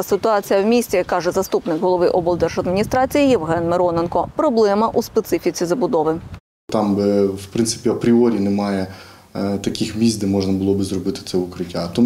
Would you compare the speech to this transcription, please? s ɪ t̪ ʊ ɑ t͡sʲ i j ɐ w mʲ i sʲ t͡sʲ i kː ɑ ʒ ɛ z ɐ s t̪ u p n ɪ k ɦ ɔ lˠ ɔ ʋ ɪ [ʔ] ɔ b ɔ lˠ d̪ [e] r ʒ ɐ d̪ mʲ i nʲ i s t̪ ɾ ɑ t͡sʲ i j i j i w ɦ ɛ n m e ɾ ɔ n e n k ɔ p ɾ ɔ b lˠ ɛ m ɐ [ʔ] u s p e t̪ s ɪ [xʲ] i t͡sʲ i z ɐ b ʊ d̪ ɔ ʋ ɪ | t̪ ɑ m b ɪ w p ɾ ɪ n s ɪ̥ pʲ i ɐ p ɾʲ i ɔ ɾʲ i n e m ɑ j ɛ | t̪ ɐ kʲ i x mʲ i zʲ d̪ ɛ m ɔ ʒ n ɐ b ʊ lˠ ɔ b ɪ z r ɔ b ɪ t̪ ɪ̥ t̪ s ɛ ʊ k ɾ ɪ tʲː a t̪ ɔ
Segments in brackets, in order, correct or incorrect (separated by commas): correct, incorrect, correct, incorrect